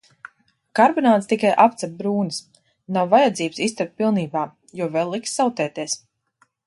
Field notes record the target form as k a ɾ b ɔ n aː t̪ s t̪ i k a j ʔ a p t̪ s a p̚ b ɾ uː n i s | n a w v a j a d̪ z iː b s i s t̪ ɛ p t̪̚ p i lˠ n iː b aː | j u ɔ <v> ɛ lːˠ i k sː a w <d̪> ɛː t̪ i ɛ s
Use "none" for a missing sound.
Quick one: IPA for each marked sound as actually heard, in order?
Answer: v, t̪

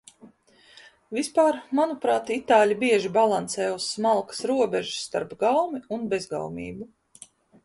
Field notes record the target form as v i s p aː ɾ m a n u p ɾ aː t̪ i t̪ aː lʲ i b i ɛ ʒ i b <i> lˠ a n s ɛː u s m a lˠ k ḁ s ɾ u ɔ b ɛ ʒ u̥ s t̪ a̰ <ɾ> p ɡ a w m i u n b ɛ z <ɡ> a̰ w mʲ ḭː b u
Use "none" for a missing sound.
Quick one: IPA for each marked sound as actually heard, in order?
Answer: a, ɾ, ɡ

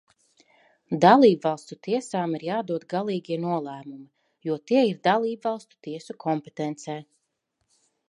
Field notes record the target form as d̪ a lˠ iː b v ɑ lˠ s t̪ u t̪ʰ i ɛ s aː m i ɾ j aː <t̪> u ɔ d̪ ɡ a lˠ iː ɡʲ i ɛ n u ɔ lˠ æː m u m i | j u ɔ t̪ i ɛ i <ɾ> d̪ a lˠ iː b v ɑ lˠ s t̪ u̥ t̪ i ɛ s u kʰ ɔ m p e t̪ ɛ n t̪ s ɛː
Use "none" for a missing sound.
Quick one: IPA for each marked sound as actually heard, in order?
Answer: d̪, ɾ

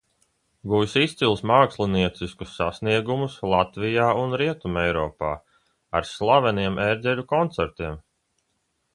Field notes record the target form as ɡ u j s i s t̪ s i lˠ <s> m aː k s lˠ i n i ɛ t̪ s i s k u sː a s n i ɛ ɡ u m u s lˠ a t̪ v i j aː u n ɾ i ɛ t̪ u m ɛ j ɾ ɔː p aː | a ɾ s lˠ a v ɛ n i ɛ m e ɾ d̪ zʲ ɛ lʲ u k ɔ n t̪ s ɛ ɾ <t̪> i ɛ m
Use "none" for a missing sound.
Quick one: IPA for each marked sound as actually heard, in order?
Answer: s, t̪

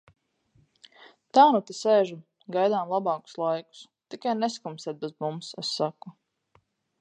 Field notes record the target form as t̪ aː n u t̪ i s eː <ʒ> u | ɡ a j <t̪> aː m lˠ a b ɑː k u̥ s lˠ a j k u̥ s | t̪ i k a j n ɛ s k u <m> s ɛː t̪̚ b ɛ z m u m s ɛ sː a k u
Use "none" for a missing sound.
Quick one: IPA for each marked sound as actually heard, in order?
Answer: ʒ, d̪, m

